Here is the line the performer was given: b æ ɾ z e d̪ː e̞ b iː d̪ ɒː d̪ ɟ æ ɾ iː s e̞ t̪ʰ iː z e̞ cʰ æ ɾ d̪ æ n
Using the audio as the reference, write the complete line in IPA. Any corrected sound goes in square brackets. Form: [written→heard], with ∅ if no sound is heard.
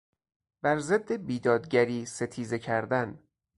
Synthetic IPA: b æ ɾ z e d̪ː e̞ b iː d̪ ɒː d̪ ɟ æ ɾ iː s e̞ t̪ʰ iː z e̞ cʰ æ ɾ d̪ æ n